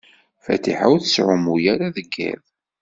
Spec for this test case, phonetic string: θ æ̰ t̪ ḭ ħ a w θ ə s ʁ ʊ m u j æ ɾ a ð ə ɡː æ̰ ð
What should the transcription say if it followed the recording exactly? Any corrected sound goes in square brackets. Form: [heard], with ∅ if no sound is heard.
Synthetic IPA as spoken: [f] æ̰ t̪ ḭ ħ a w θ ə s [ʕ] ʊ m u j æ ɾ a ð ə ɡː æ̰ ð